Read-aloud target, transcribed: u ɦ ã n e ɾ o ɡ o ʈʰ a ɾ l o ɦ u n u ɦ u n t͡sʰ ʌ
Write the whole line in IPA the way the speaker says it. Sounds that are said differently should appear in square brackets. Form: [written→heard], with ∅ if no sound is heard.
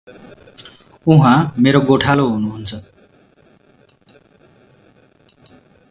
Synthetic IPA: u ɦ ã [n→m] e ɾ o ɡ o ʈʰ a [ɾ→∅] l o ɦ u n u ɦ u n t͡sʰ ʌ